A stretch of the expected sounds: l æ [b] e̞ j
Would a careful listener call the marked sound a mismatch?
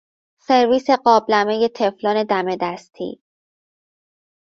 yes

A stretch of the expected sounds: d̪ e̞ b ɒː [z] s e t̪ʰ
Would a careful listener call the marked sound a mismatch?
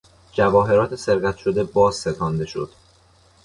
no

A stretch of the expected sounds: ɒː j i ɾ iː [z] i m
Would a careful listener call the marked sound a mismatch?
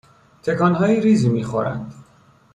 no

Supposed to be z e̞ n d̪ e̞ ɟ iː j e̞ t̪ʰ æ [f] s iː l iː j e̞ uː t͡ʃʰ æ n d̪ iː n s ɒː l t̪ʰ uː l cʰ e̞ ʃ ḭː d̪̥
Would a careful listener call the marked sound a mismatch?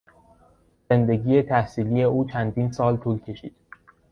yes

